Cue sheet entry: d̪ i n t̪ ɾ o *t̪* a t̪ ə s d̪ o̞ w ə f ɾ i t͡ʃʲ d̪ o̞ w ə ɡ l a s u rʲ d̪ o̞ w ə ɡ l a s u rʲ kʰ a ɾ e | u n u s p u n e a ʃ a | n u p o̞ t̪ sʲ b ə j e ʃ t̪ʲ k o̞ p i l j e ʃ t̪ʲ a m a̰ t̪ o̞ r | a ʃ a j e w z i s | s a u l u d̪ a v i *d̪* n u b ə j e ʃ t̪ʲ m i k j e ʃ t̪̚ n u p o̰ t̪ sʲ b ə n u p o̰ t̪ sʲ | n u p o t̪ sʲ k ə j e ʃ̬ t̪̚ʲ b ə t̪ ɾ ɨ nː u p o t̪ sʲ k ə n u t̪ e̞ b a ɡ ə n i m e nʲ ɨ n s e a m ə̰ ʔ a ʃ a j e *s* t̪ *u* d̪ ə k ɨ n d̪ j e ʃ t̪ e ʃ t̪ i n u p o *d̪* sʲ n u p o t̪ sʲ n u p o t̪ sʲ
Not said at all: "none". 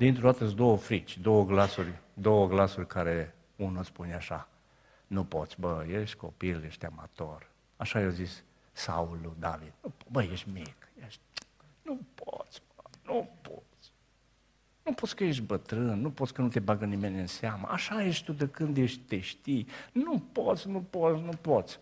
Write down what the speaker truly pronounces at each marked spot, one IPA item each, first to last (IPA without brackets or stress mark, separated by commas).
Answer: d̪, d̪, ʃ, u, t̪